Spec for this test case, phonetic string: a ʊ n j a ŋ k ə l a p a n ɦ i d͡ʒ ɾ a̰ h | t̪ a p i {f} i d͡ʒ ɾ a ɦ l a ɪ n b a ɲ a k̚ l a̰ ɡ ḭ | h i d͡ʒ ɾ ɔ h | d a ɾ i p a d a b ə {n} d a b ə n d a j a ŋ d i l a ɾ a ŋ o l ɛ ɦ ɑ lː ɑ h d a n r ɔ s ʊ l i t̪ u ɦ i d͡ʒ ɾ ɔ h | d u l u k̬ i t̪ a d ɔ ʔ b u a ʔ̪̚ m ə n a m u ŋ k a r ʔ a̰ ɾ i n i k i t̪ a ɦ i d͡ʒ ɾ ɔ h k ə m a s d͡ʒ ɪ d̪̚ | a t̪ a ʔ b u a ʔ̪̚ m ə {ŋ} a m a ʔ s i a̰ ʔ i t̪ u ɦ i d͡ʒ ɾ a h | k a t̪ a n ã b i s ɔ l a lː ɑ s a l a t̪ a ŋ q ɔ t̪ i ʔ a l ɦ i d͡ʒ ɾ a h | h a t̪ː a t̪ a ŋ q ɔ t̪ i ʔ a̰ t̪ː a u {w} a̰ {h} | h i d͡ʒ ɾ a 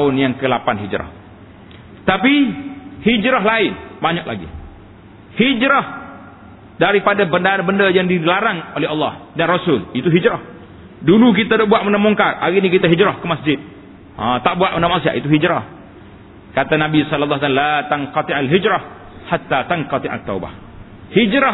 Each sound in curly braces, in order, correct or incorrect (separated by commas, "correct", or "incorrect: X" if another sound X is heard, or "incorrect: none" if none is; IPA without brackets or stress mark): incorrect: h, correct, incorrect: n, incorrect: b, correct